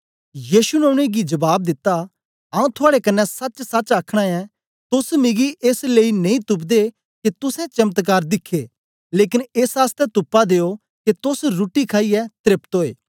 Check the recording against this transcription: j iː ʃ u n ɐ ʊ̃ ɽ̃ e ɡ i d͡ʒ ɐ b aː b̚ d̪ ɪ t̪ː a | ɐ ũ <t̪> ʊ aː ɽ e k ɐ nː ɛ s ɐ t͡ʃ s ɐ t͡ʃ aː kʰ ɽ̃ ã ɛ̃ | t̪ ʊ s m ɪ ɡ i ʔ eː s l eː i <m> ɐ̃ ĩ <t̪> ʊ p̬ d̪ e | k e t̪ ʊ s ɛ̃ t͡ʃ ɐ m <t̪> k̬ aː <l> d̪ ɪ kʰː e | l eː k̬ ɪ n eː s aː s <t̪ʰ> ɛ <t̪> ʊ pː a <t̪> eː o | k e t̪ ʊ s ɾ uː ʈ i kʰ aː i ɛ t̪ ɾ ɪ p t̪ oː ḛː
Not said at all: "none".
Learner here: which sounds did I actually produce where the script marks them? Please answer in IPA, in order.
t̪ʰ, n, t̪, t̪, ɾ, t̪, t̪, d̪

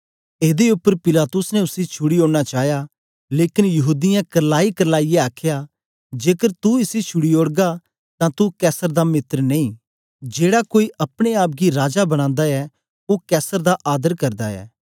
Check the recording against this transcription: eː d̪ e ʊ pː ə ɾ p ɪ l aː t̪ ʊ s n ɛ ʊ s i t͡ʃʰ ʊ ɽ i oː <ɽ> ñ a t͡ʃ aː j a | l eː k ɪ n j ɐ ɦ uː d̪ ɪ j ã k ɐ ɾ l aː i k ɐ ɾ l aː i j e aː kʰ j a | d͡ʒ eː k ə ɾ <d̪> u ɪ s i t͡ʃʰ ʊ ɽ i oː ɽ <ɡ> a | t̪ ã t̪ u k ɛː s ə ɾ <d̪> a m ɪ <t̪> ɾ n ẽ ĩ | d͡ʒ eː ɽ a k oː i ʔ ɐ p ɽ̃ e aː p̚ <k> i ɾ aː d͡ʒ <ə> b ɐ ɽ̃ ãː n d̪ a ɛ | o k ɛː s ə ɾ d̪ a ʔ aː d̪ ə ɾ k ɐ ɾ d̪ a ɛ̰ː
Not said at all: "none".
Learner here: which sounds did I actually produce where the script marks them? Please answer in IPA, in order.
ɽ, t̪, ɡ, d̪, t̪, ɡ, a

